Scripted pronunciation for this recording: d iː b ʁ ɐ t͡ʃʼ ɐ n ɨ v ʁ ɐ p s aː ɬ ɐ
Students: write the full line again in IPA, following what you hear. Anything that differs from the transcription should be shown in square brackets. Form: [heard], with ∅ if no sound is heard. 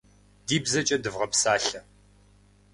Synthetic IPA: d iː b [z] ɐ t͡ʃʼ ɐ [d] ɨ v ʁ ɐ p s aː ɬ ɐ